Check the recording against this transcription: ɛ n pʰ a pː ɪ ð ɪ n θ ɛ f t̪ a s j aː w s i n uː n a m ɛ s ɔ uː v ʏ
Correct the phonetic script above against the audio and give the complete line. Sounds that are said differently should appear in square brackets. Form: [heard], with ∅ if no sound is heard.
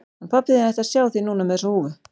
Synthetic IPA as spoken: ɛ n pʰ a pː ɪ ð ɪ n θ ɛ [h] t̪ a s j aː w [θ] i n uː n a m ɛ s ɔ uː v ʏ